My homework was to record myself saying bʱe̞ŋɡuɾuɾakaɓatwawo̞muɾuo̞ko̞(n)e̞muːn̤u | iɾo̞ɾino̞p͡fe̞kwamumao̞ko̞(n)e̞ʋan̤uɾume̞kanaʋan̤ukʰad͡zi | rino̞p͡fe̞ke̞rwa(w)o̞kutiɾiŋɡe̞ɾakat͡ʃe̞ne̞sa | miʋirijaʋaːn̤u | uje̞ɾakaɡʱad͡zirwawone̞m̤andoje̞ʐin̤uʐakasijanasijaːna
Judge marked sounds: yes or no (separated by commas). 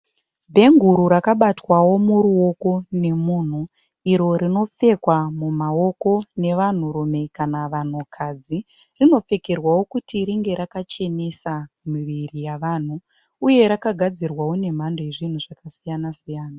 yes, yes, yes